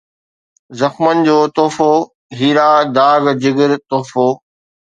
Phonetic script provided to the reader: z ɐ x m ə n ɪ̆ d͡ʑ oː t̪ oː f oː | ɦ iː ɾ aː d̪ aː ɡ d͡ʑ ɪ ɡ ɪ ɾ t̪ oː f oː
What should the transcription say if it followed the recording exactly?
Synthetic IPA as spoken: z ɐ x m ə n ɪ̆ d͡ʑ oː t̪ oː f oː | ɦ iː ɾ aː d̪ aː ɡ d͡ʑ ɪ ɡ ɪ ɾ t̪ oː f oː